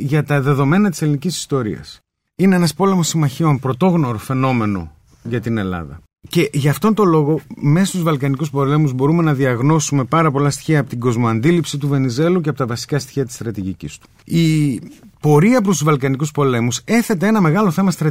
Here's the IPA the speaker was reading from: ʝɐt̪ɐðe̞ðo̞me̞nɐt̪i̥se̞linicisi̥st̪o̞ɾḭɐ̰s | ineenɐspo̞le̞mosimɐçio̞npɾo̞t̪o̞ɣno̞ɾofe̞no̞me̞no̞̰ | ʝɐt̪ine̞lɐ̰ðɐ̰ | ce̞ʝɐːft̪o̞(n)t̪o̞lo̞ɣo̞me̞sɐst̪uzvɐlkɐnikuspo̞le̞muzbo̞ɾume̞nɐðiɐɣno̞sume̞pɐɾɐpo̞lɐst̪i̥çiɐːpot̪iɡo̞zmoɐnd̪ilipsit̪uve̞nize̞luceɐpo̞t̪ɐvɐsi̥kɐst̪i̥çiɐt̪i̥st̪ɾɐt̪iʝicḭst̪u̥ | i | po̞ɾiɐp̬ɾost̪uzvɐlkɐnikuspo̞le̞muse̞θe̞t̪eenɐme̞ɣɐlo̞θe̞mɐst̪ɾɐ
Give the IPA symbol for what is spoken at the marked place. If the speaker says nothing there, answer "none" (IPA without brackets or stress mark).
n